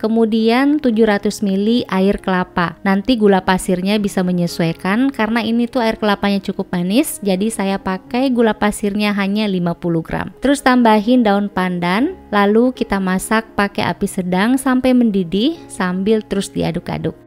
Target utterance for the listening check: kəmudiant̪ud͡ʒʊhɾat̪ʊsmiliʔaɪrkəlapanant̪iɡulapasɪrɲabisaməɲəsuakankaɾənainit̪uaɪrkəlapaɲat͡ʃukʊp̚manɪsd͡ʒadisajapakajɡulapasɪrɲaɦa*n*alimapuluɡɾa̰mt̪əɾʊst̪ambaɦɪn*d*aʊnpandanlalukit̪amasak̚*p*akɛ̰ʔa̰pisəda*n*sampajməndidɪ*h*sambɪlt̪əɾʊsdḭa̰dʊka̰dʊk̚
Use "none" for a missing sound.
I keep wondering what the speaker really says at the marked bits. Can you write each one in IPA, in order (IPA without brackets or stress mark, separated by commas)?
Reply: ɲ, d, p, ŋ, h